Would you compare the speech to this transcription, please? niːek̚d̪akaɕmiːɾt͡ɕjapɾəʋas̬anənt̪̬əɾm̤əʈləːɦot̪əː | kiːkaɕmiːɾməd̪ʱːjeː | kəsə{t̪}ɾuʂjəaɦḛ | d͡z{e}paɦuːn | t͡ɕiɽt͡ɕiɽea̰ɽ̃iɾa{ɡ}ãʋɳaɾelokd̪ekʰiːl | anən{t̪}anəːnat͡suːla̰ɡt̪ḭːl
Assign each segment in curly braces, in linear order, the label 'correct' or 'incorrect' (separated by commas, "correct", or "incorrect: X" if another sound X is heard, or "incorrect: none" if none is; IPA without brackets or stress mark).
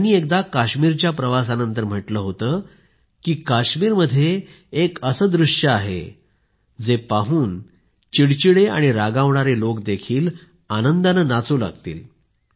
incorrect: d̪, correct, correct, incorrect: d̪